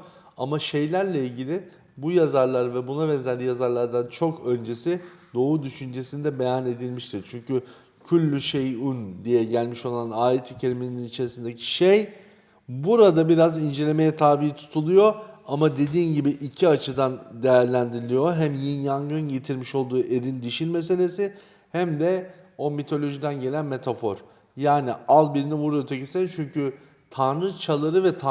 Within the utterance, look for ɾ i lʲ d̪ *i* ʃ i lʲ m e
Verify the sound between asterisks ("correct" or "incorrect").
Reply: correct